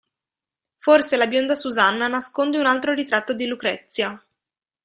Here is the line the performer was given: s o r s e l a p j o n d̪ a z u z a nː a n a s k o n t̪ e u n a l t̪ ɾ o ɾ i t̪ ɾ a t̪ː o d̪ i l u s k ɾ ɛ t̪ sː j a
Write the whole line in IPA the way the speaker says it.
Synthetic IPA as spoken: f o r s e l a b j o n d̪ a s u z a nː a n a s k o n d̪ e u n a l t̪ ɾ o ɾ i t̪ ɾ a t̪ː o d̪ i l u k ɾ ɛ t̪ sː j a